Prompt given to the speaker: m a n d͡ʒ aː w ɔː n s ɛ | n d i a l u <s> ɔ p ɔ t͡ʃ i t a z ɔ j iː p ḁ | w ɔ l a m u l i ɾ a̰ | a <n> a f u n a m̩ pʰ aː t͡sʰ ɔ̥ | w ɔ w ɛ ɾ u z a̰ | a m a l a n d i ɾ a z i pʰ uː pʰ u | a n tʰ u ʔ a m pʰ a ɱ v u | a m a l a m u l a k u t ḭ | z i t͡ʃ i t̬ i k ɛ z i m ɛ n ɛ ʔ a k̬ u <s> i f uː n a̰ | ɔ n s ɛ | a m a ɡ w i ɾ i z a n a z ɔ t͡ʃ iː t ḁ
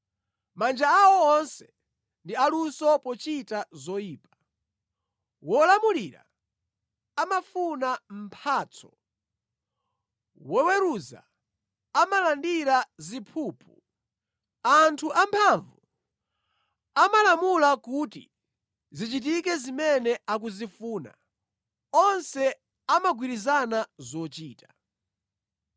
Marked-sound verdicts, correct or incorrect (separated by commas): correct, incorrect, incorrect